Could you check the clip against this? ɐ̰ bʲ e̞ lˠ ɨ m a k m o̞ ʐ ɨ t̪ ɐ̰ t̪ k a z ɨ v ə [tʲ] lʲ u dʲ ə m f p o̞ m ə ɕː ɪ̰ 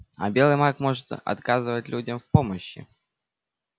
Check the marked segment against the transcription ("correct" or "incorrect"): correct